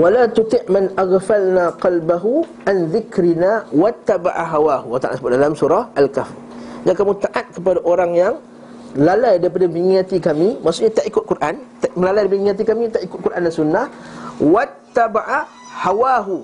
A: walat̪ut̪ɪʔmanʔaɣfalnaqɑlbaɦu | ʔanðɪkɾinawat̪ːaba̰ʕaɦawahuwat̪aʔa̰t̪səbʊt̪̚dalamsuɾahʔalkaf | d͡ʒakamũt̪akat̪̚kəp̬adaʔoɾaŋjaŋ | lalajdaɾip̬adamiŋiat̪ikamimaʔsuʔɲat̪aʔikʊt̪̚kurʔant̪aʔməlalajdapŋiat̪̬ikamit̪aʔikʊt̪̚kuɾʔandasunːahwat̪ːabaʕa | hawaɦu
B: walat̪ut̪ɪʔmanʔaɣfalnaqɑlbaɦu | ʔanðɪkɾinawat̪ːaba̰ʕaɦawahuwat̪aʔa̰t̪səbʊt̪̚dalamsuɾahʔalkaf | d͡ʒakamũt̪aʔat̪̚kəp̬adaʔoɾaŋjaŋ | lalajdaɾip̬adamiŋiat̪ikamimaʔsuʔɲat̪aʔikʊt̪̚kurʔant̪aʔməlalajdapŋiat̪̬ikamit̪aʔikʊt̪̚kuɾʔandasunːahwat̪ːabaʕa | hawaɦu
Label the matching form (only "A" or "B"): B